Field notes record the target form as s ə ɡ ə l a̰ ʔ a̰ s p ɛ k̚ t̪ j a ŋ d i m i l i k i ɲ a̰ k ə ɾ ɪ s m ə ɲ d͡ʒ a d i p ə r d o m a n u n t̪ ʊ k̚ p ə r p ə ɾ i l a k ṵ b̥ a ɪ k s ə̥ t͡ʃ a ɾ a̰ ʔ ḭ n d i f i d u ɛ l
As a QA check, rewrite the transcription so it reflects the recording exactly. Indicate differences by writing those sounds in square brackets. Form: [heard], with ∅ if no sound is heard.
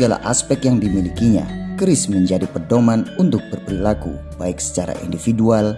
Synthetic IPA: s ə ɡ [a] l a̰ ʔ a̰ s p ɛ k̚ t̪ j a ŋ d i m i l i k i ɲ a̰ k ə ɾ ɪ s m ə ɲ d͡ʒ a d i p ə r d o m a n u n t̪ ʊ k̚ [b] ə r p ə ɾ i l a k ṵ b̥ a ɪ k s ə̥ t͡ʃ a ɾ a̰ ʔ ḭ n d i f i d u [a] l